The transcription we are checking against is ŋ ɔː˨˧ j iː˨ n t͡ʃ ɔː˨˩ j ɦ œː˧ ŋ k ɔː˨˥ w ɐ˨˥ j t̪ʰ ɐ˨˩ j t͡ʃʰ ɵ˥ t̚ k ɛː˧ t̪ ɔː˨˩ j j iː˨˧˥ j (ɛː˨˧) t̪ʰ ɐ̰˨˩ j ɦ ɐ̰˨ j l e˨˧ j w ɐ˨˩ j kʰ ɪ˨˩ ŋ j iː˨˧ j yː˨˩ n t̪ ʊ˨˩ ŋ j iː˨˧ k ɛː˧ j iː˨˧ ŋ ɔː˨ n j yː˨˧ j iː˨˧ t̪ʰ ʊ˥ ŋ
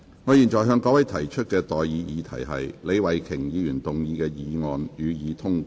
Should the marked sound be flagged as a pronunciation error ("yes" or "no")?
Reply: yes